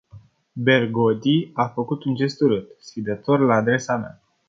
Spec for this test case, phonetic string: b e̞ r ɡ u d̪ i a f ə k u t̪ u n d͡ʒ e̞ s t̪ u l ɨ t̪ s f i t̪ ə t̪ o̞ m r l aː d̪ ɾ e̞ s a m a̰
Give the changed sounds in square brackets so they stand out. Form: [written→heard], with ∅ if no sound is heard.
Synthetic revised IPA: b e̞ r ɡ [u→o] d̪ i a f ə k u t̪ u n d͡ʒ e̞ s t̪ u [l→ɾ] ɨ t̪ s f i [t̪→d̪] ə t̪ o̞ [m→∅] r l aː d̪ ɾ e̞ s a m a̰